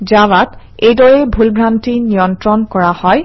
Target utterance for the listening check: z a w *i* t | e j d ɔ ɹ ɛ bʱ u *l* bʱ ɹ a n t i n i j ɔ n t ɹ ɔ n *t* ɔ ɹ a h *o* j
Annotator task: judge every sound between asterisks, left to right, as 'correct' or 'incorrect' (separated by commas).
incorrect, correct, incorrect, incorrect